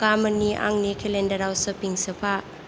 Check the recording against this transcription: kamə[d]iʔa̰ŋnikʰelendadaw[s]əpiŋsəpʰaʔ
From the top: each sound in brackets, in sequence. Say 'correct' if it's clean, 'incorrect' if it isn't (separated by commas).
incorrect, correct